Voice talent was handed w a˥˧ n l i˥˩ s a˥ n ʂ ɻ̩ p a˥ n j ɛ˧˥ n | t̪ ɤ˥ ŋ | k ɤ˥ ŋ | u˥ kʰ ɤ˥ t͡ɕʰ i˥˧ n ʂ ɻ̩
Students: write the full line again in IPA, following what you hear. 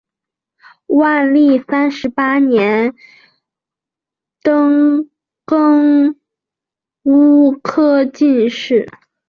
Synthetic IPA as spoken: w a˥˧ n l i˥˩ s a˥ n ʂ ɻ̩ p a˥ n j ɛ˧˥ n | t̪ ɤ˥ ŋ | k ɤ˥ ŋ | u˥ kʰ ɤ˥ t͡ɕ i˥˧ n ʂ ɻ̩